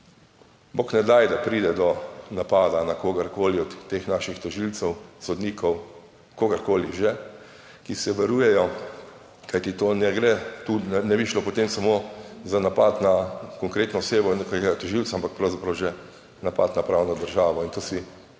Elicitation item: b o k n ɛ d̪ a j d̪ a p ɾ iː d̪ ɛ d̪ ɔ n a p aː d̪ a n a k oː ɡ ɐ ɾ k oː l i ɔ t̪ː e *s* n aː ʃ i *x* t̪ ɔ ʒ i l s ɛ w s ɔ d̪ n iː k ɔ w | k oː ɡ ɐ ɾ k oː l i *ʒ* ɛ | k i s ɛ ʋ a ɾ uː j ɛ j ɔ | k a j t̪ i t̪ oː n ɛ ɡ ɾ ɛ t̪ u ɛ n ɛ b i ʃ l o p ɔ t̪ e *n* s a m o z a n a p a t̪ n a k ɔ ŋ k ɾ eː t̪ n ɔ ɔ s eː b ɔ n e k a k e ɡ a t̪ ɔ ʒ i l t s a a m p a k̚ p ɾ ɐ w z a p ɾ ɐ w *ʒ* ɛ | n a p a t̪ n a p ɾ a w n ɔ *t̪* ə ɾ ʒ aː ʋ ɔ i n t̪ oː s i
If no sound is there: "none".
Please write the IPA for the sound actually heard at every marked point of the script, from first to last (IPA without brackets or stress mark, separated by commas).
x, x, ʒ, m, ʒ, d̪